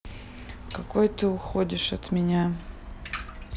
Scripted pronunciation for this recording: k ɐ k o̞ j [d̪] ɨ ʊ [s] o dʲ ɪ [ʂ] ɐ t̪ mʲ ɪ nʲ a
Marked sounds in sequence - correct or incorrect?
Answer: incorrect: t̪, incorrect: x, correct

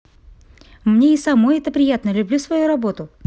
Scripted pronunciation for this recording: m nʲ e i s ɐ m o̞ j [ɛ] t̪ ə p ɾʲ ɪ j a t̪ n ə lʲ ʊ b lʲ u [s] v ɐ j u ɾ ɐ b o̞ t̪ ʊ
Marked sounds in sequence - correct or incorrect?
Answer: correct, correct

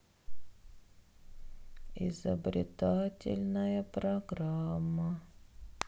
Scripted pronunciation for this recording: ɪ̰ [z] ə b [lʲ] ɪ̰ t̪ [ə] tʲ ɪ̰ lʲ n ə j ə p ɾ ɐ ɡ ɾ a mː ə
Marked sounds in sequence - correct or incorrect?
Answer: correct, incorrect: ɾʲ, incorrect: a

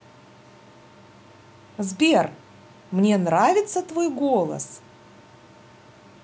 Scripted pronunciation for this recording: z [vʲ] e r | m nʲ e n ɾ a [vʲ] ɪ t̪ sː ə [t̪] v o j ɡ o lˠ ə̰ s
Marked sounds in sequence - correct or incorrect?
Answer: incorrect: bʲ, correct, correct

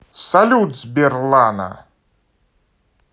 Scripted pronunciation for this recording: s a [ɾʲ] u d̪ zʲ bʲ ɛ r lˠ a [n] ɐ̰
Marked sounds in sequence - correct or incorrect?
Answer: incorrect: lʲ, correct

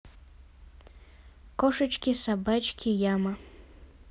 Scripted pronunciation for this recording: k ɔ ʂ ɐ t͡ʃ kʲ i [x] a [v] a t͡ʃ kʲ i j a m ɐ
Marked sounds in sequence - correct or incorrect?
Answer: incorrect: s, incorrect: b

